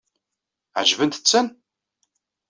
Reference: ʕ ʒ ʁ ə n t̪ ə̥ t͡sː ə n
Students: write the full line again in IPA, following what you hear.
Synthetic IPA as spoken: ʕ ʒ v ə n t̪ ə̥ t͡sː ə n

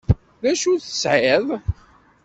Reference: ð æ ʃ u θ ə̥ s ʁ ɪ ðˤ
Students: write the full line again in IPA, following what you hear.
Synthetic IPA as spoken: ð æ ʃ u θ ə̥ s ʕ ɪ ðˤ

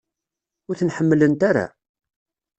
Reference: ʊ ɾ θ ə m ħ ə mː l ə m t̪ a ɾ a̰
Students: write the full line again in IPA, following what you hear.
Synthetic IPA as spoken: ʊ ɾ θ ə n ħ ə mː l ə n t̪ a ɾ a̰

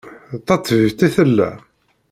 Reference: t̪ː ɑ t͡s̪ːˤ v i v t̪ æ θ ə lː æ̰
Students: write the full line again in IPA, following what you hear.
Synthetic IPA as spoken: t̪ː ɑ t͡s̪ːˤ v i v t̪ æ θ ə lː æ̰

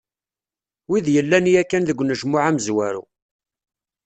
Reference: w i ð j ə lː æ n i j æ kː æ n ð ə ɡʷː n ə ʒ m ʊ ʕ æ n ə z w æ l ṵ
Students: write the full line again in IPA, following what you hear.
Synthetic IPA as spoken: w i ð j ə lː æ n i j æ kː æ n ð ə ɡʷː n ə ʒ m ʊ ʕ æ m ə z w æ ɾ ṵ

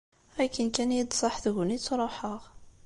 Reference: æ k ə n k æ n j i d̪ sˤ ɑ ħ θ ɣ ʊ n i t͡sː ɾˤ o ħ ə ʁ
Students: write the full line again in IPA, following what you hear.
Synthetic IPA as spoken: æ k ə n k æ n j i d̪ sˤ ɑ ħ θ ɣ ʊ n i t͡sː ɾˤ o ħ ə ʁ

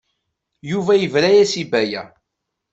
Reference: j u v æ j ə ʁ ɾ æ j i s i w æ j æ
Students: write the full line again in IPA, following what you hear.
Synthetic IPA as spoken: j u v æ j ə v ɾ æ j æ s i b æ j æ

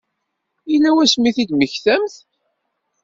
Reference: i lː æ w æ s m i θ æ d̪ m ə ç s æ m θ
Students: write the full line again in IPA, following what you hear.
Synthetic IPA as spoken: i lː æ w æ s m i θ i d̪ m ə ç θ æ m θ

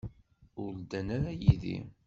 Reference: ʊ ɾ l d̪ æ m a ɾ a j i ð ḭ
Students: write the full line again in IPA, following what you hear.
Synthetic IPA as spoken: ʊ ɾ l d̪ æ n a ɾ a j i ð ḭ

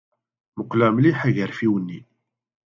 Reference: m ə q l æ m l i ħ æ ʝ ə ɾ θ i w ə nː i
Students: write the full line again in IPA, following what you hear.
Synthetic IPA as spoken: m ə q l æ m l i ħ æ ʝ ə ɾ f i w ə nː i

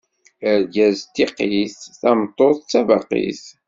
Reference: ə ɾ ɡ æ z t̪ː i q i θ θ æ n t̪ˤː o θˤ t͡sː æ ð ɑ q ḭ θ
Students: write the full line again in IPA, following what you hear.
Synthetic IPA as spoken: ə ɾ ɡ æ z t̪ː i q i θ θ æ m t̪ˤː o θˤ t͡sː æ v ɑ q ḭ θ

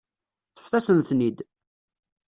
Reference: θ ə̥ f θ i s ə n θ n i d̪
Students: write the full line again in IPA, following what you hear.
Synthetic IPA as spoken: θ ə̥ f θ æ s ə n θ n i d̪

